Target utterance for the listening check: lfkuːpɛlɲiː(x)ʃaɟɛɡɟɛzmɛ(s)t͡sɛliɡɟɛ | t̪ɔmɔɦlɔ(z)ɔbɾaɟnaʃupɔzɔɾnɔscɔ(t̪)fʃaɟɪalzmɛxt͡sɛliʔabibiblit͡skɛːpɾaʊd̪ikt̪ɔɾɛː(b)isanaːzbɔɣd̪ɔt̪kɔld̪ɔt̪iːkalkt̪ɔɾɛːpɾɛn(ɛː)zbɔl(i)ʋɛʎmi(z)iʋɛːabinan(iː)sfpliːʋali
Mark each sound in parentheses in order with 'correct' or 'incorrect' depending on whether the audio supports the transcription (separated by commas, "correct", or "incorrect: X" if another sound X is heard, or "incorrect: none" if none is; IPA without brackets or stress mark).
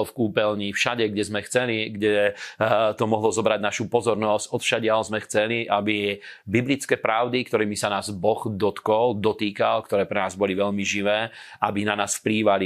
incorrect: f, incorrect: x, correct, correct, incorrect: m, incorrect: aː, correct, incorrect: ʒ, incorrect: aː